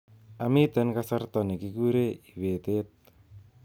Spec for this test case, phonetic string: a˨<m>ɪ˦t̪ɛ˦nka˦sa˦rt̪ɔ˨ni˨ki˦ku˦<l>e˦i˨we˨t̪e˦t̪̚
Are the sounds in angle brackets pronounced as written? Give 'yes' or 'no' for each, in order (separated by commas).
yes, no